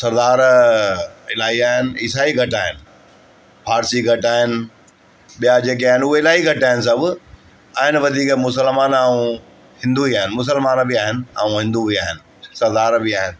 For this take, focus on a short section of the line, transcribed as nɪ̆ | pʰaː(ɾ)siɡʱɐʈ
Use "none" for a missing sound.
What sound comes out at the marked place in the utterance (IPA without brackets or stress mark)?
ɾ